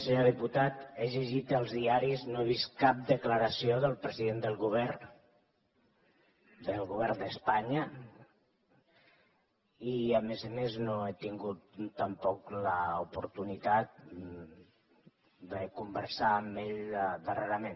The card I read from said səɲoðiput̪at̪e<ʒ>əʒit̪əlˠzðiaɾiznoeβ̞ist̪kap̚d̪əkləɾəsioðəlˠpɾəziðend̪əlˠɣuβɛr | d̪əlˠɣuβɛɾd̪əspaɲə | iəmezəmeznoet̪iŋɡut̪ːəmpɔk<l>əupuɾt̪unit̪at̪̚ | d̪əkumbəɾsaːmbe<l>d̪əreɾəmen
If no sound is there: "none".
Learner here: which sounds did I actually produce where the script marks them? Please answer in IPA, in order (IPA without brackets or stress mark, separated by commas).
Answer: ʒ, l, ʎ